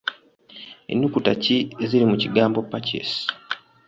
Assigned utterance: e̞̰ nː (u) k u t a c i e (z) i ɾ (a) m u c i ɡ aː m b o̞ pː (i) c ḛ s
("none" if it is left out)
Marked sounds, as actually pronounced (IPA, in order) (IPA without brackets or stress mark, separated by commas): u, z, i, a